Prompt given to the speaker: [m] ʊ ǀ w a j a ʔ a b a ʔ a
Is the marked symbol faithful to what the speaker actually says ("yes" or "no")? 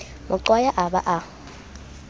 yes